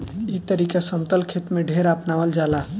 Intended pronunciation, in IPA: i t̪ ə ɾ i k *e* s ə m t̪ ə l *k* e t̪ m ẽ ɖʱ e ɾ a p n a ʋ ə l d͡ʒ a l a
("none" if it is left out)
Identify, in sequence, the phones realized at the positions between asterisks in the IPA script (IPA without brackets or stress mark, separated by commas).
a, kʰ